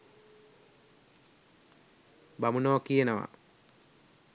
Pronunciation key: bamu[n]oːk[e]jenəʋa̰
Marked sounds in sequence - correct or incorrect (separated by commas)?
correct, incorrect